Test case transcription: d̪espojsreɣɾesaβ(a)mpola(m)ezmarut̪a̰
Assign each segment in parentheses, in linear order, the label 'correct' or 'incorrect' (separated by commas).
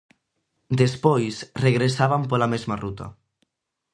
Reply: correct, correct